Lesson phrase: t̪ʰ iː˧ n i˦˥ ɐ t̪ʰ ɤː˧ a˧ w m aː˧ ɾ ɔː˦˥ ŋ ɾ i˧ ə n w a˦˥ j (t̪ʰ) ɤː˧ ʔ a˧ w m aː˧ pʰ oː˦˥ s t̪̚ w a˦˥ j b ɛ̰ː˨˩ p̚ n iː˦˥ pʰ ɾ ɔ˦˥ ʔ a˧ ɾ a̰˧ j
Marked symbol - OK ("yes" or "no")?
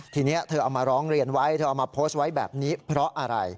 yes